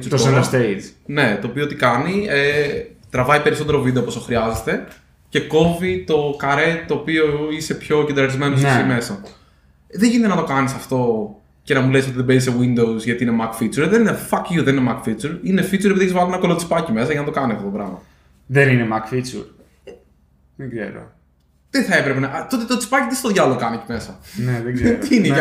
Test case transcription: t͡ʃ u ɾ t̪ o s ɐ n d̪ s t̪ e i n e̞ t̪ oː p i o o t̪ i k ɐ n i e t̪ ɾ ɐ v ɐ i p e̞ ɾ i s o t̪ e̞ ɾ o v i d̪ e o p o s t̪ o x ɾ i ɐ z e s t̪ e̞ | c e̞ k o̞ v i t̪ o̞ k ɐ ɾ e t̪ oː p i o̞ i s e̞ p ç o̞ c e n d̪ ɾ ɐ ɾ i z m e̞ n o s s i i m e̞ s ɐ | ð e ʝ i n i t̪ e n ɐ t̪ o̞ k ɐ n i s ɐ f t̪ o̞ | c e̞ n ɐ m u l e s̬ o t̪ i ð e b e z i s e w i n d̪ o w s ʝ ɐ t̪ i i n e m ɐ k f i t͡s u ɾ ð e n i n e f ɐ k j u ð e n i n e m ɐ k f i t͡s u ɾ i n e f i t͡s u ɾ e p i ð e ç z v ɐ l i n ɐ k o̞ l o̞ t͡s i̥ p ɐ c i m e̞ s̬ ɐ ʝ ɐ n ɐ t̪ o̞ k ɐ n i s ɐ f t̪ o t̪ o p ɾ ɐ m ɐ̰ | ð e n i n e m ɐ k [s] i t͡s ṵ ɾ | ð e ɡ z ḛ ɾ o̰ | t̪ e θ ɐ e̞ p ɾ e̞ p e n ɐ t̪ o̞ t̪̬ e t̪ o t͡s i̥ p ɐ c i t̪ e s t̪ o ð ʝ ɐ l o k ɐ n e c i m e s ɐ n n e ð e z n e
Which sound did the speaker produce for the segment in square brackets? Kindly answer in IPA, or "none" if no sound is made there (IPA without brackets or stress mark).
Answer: f